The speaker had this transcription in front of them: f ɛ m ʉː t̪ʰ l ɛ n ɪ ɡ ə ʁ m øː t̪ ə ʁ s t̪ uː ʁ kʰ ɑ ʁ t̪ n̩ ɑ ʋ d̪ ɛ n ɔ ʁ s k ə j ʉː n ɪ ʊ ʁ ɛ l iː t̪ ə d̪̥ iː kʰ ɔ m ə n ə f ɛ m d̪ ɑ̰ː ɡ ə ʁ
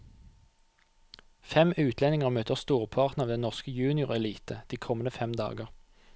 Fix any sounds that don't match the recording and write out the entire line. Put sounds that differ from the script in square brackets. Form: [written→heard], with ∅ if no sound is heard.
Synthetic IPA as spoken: f ɛ m ʉː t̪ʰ l ɛ n ɪ [ɡ→ŋ] ə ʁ m øː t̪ ə ʁ s t̪ uː ʁ [kʰ→pʰ] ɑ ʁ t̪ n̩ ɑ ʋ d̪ ɛ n ɔ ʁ s k ə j ʉː n ɪ ʊ ʁ ɛ l iː t̪ ə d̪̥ iː kʰ ɔ m ə n ə f ɛ m d̪ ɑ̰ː ɡ ə ʁ